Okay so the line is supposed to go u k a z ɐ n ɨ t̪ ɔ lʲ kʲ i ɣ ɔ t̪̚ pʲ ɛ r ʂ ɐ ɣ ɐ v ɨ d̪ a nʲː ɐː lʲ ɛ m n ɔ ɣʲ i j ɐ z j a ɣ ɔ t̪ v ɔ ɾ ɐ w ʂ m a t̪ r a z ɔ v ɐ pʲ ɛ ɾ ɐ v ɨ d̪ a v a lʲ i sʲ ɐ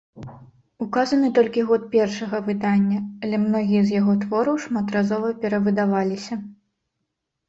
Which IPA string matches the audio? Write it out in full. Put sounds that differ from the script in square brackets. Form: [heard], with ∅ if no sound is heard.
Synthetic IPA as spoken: u k a z ɐ n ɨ t̪ ɔ lʲ kʲ i ɣ ɔ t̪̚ pʲ ɛ r ʂ ɐ ɣ ɐ v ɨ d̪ a nʲː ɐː lʲ ɛ m n ɔ ɣʲ i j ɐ z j a ɣ ɔ t̪ v ɔ ɾ ɐ w ʂ m a t̪ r a z ɔ v ɐ pʲ ɛ ɾ ɐ v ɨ d̪ a v a lʲ i sʲ ɐ